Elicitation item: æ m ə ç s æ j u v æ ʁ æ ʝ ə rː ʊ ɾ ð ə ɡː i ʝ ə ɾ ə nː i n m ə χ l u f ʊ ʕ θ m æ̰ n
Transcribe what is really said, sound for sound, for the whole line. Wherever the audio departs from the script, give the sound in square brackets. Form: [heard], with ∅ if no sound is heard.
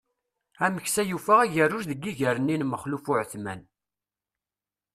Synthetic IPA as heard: æ m ə ç s æ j u [f] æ ʁ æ ʝ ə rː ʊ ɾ ð ə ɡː i ʝ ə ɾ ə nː i n m ə χ l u f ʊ ʕ θ m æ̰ n